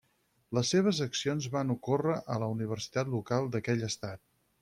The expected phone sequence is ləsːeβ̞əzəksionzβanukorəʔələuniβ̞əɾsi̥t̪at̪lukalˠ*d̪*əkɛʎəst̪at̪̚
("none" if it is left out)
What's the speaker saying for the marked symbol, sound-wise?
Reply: d̪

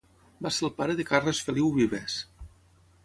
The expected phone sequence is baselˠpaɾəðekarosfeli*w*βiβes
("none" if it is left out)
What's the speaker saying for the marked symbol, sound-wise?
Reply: w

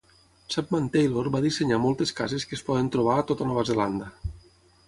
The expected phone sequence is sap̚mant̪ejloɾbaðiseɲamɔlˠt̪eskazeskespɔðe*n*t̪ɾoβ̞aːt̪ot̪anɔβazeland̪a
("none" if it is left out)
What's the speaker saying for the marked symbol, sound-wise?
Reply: n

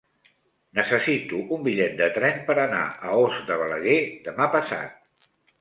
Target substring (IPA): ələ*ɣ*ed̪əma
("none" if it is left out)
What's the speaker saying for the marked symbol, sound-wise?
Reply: ɣ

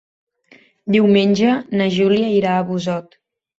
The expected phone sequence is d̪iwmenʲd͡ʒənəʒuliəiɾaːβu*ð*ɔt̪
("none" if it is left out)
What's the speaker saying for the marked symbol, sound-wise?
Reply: z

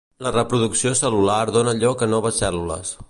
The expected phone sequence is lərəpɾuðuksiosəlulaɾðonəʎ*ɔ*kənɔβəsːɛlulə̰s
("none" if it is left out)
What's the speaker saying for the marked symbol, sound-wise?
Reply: ɔ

